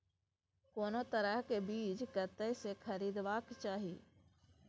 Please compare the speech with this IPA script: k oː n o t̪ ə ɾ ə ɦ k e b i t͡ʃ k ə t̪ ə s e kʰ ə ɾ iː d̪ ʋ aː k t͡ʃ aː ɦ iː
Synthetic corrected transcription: k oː n o t̪ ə ɾ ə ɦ k e b iː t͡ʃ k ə t̪ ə s e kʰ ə ɾ iː d̪ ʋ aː k t͡ʃ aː ɦ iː